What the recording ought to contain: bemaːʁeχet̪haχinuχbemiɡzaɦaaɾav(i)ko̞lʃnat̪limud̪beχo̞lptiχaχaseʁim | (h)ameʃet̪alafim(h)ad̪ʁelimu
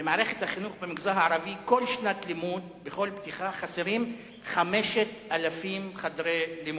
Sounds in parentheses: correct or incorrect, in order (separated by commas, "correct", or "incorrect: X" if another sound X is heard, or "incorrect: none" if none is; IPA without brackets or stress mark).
correct, incorrect: χ, incorrect: χ